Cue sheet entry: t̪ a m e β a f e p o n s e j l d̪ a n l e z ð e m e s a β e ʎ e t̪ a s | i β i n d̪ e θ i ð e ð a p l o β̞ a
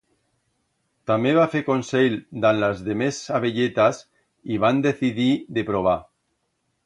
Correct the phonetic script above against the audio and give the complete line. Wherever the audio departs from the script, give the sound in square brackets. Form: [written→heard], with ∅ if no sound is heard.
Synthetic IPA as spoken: t̪ a m e β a f e [p→k] o n s e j l d̪ a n l [e→a] z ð e m e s a β e ʎ e t̪ a s | i β [i→a] n d̪ e θ i ð [e→i] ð [a→e] p [l→ɾ] o β̞ a